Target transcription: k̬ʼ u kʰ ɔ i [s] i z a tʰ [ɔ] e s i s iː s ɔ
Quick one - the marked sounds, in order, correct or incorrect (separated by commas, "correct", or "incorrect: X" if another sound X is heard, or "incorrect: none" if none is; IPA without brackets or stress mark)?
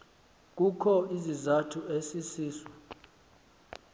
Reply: incorrect: z, incorrect: u